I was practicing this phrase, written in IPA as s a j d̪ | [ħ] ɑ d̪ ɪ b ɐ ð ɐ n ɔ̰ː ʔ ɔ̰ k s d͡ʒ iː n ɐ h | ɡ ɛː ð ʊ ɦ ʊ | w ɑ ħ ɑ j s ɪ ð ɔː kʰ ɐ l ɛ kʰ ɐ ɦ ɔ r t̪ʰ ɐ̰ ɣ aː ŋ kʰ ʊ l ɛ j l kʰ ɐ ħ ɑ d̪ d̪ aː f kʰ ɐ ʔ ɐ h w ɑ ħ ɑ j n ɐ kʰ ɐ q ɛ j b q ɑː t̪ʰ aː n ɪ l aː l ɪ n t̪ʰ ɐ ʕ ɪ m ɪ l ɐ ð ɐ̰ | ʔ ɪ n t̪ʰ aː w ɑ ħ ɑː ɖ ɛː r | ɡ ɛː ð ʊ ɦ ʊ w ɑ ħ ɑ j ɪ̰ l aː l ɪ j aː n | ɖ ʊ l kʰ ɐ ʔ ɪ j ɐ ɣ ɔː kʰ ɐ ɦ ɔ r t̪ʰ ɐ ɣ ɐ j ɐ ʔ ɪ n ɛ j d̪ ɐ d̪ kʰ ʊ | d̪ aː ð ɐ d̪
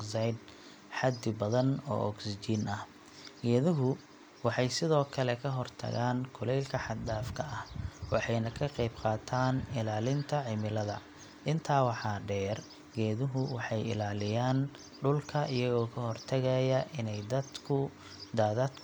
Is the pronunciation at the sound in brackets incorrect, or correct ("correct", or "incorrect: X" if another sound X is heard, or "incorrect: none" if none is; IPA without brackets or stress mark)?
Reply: correct